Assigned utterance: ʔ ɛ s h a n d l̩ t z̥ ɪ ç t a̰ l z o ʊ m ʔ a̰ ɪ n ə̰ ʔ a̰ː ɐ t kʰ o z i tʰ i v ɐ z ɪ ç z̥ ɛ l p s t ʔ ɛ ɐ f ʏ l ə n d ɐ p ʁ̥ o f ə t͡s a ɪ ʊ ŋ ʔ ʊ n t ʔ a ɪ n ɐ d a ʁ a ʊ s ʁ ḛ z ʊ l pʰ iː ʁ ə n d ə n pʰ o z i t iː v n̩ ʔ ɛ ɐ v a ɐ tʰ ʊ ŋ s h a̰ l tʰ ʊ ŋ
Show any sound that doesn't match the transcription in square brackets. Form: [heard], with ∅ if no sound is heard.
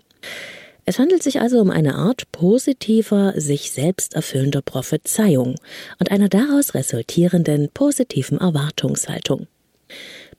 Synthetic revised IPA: ʔ ɛ s h a n d l̩ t z̥ ɪ ç [ʔ] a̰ l z o ʊ m ʔ a̰ ɪ n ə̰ ʔ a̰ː ɐ t [pʰ] o z i tʰ [iː] v ɐ z ɪ ç z̥ ɛ l p s t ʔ ɛ ɐ f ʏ l ə n d ɐ p ʁ̥ o f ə t͡s a ɪ ʊ ŋ ʔ ʊ n t ʔ a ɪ n ɐ d a ʁ a ʊ s ʁ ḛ z ʊ l [tʰ] iː ʁ ə n d ə n pʰ o z i [tʰ] iː v n̩ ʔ ɛ ɐ v a ɐ tʰ ʊ ŋ s h a̰ l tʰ ʊ ŋ